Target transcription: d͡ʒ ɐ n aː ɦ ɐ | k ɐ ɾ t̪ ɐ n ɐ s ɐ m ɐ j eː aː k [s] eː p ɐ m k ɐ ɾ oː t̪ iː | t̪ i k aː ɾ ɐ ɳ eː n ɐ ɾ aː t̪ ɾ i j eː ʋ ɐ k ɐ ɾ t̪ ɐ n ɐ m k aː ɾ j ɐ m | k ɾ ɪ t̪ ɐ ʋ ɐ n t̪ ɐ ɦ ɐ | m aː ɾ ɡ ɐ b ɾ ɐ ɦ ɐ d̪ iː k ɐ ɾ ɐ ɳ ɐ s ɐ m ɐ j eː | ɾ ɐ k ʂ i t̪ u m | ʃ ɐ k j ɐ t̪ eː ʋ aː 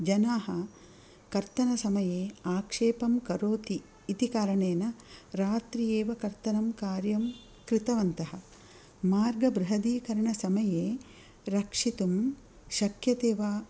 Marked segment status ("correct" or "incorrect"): incorrect